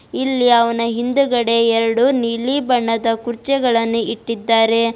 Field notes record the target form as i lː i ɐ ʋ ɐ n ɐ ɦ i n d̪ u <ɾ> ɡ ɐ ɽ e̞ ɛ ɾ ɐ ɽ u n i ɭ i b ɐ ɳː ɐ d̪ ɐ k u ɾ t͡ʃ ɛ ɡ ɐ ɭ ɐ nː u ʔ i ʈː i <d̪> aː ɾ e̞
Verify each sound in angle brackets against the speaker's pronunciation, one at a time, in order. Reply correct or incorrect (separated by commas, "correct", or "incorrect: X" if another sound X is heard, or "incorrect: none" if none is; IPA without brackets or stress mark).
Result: incorrect: none, incorrect: d̪ː